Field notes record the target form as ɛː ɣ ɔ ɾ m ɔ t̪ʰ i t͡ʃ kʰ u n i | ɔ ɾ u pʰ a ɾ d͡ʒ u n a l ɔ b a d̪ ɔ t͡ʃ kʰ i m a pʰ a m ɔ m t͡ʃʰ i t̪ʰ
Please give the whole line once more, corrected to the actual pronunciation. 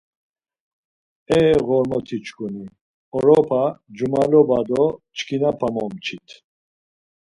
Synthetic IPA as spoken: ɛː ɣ ɔ ɾ m ɔ t̪ʰ i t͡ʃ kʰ u n i | ɔ ɾ ɔ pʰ a d͡ʒ u m a l ɔ b a d̪ ɔ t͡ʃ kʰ i n a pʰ a m ɔ m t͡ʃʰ i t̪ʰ